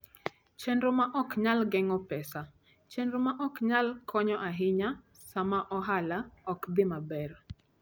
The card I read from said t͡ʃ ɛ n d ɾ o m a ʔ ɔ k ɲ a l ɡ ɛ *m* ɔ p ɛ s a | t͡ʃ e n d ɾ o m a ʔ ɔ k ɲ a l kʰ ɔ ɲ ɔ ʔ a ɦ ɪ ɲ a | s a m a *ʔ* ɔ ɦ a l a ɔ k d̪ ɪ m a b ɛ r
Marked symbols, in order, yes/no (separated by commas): no, yes